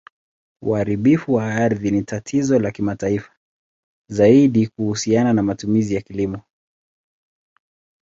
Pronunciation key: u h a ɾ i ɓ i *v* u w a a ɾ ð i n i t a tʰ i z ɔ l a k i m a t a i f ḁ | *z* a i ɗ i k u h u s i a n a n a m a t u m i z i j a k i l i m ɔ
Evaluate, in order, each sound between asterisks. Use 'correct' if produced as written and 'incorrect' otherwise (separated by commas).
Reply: incorrect, correct